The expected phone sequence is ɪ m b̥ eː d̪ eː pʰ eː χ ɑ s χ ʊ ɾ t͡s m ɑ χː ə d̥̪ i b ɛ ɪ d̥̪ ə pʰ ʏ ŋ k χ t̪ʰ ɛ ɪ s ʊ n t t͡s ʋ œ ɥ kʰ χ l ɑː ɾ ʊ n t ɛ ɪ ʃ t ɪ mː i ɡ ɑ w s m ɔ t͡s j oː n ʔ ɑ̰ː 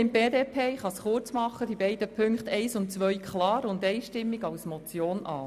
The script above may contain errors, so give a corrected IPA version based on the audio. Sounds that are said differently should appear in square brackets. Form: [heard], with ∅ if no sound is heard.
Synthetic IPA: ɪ m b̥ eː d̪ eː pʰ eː χ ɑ s χ ʊ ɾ t͡s m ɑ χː ə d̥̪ i b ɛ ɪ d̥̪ ə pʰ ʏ ŋ k χ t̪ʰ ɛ ɪ s ʊ n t t͡s ʋ œ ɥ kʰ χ l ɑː ɾ ʊ n [d] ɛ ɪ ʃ t ɪ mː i ɡ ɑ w s m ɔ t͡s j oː n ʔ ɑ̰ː